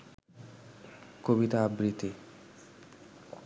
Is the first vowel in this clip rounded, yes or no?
yes